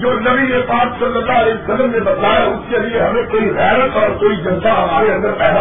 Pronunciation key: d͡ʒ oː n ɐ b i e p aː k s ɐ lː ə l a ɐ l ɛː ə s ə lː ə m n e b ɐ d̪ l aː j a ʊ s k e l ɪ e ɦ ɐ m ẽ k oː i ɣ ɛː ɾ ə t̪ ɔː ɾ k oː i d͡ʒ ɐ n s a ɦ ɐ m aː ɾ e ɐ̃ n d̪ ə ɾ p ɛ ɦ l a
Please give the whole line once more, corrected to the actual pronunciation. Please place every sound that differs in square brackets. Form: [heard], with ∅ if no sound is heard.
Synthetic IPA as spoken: d͡ʒ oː n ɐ b i e p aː k s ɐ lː ə [lː] a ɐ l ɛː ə s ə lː ə m n e b ɐ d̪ l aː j a ʊ s k e l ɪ e ɦ ɐ m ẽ k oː i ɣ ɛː ɾ ə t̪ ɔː ɾ k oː i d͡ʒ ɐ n s a ɦ ɐ m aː ɾ e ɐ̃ n d̪ ə ɾ p ɛ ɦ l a